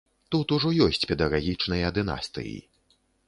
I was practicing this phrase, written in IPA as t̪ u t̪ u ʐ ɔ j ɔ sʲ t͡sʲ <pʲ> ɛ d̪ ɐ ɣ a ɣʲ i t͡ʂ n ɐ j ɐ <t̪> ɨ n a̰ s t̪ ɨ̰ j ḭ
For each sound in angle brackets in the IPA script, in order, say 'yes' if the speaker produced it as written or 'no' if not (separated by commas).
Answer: yes, no